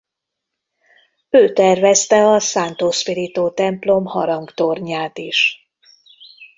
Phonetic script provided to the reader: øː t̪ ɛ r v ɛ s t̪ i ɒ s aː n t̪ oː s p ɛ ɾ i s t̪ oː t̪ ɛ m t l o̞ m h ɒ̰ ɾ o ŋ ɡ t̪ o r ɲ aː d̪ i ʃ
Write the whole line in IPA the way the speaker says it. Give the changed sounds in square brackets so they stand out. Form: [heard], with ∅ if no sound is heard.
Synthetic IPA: øː t̪ ɛ r v ɛ s t̪ [ɛ] ɒ s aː n t̪ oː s p [i] ɾ i [∅] t̪ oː t̪ ɛ m [p] l o̞ m h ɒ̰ ɾ [ɒ] ŋ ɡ t̪ o r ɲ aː [t̪] i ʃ